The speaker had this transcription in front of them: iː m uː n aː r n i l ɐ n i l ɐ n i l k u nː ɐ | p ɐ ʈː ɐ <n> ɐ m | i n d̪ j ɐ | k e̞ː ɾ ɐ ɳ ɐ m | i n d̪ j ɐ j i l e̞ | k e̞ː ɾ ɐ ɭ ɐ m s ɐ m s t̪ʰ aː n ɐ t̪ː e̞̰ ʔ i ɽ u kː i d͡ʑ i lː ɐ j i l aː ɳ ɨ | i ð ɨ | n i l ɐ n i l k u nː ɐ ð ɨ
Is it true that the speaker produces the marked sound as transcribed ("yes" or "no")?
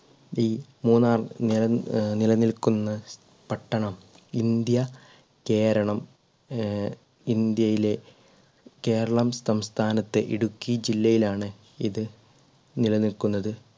no